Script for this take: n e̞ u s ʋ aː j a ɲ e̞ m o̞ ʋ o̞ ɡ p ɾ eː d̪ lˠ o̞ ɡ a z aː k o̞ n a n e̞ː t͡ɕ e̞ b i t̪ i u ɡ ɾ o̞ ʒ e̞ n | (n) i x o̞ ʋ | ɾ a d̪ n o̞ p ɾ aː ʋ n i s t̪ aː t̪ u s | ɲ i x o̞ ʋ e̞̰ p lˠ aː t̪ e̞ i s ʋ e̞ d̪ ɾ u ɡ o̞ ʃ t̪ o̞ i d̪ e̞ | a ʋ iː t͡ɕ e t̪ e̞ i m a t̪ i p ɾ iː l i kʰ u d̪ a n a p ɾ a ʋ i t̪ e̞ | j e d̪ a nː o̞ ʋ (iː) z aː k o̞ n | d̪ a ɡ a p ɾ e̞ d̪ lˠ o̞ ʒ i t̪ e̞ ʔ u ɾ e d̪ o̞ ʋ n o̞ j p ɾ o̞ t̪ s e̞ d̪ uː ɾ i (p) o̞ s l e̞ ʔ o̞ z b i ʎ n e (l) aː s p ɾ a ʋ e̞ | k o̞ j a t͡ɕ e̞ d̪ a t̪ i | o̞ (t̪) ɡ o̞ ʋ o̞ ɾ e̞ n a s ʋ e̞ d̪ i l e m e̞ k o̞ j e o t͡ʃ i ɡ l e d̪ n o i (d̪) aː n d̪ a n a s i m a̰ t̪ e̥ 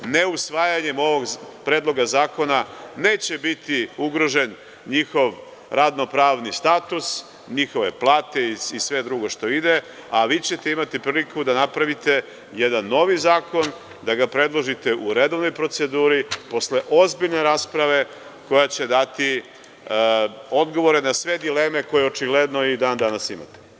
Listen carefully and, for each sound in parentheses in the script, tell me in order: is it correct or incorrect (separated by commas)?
incorrect, incorrect, correct, incorrect, incorrect, correct